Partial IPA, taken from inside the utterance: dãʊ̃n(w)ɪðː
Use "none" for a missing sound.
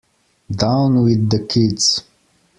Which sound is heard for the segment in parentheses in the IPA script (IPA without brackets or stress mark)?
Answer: w